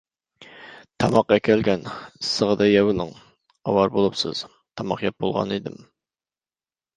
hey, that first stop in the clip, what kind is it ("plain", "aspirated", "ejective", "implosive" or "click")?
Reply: aspirated